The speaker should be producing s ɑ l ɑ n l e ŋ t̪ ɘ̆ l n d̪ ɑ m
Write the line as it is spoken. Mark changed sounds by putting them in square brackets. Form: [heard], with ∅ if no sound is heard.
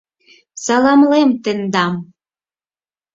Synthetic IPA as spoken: s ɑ l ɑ [m] l e [m] t̪ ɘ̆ [∅] n d̪ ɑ m